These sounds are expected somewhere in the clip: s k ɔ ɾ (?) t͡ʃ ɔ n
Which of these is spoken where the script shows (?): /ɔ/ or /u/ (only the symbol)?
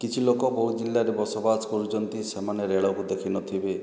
u